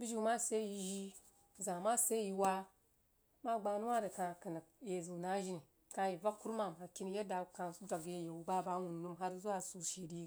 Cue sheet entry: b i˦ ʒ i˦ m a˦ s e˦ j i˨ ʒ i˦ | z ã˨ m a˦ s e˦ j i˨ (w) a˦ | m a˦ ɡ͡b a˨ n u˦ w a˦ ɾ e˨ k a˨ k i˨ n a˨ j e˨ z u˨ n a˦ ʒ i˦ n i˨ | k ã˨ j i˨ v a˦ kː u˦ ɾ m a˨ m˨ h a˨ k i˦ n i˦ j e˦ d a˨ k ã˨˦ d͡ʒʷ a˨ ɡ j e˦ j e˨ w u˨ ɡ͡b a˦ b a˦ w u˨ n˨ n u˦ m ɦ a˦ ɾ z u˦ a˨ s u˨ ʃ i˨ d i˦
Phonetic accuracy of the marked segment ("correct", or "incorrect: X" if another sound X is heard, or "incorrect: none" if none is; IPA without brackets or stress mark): correct